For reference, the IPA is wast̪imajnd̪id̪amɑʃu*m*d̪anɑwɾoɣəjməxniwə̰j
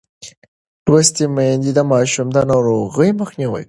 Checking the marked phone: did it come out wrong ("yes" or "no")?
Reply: no